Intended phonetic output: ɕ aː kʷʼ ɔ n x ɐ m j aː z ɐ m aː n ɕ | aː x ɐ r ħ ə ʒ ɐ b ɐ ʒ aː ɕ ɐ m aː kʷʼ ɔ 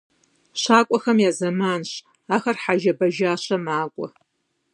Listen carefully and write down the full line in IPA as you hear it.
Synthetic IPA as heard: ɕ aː kʷʼ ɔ x ɐ m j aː z ɐ m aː n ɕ | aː x ɐ r ħ a ʒ ɐ b ɐ ʒ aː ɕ ɐ m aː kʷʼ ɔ